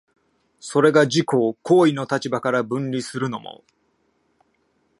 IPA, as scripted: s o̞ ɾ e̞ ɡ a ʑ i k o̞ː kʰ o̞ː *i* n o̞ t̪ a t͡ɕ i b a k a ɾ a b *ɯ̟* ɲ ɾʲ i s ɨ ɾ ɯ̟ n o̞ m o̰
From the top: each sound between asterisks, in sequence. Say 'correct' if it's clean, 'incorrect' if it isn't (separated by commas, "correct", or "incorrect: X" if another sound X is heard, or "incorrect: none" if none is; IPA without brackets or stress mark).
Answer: correct, incorrect: ɯ̟̃